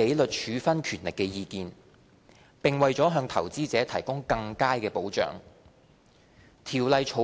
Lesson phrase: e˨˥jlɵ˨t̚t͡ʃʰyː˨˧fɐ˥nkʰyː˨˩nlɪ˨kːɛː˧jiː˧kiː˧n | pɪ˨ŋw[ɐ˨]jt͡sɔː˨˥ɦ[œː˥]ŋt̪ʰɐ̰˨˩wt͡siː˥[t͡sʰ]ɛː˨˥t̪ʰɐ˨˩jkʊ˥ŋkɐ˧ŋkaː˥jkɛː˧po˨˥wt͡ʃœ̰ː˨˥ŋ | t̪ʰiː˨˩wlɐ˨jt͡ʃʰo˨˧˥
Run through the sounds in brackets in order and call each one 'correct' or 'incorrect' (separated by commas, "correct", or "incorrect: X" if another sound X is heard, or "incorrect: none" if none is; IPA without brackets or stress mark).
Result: correct, incorrect: œː˧, incorrect: t͡s